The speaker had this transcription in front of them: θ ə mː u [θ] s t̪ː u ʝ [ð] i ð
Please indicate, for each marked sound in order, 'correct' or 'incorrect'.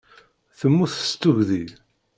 correct, correct

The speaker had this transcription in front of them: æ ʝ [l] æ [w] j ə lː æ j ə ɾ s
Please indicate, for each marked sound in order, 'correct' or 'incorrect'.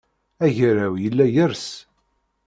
incorrect, correct

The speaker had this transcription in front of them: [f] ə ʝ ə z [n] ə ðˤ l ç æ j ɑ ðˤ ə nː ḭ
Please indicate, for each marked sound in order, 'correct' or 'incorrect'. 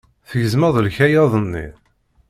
incorrect, incorrect

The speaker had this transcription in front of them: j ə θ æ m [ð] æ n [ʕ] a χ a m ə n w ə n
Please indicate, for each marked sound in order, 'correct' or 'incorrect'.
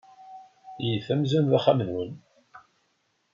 incorrect, incorrect

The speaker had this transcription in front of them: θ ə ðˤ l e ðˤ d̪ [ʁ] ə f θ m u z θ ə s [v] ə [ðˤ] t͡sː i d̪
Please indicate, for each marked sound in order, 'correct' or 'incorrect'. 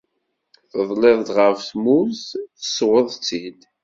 correct, incorrect, correct

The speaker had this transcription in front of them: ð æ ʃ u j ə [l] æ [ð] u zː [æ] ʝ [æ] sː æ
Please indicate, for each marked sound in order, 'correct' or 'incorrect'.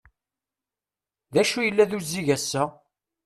incorrect, correct, incorrect, correct

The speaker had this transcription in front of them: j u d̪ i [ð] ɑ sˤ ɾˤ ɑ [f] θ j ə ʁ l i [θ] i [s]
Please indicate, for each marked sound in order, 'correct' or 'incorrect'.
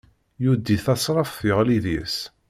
incorrect, correct, incorrect, correct

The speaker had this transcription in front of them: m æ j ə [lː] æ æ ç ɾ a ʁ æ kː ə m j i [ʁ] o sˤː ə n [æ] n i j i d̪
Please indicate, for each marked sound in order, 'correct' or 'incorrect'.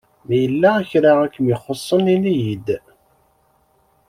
correct, incorrect, incorrect

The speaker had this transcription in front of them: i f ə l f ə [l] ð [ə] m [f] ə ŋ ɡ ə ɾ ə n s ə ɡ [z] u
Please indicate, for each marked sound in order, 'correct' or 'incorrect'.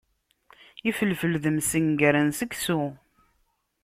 correct, correct, incorrect, incorrect

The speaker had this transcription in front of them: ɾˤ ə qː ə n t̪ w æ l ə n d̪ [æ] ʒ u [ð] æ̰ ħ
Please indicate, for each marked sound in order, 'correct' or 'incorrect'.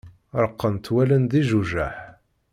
incorrect, incorrect

